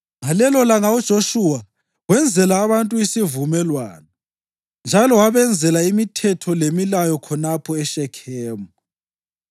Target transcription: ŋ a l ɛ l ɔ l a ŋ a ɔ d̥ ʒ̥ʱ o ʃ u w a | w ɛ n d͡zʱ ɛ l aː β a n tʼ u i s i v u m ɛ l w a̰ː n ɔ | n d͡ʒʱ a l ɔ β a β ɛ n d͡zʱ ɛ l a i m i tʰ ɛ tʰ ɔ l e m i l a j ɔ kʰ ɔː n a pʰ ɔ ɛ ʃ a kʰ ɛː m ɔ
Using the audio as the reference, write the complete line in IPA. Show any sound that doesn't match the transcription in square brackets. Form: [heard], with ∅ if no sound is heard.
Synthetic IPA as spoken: ŋ a l ɛ l ɔ l a ŋ a [u] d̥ ʒ̥ʱ o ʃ u w a | w ɛ n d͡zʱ ɛ l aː β a n tʼ u i s i v u m ɛ l w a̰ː n ɔ | n d͡ʒʱ a l ɔ [w] a β ɛ n d͡zʱ ɛ l a i m i tʰ ɛ tʰ ɔ l e m i l a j ɔ kʰ [ɔ] n a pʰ ɔ ɛ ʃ [ɛ] kʰ ɛː m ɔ